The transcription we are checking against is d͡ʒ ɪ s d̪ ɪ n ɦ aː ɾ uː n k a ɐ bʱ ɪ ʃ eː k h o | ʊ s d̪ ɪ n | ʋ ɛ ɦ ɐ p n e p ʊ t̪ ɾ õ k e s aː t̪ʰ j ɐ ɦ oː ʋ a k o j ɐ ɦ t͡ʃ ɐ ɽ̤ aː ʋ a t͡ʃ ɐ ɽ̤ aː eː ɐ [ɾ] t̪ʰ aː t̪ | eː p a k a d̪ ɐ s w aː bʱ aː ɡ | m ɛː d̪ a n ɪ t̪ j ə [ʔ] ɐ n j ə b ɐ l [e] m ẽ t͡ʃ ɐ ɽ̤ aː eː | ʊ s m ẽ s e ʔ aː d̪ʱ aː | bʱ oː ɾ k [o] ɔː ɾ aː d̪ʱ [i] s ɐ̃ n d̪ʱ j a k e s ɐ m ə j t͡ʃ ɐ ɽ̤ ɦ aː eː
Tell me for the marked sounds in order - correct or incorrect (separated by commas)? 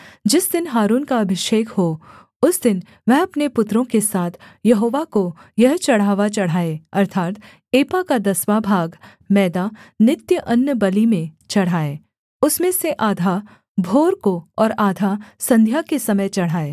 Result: correct, correct, incorrect, correct, incorrect